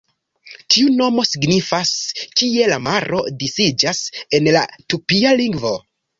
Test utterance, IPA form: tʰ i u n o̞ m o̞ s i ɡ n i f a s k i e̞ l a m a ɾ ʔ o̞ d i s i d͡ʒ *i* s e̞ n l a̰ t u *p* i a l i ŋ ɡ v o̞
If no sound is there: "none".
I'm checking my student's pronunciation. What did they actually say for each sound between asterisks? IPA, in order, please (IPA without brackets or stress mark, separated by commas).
a, p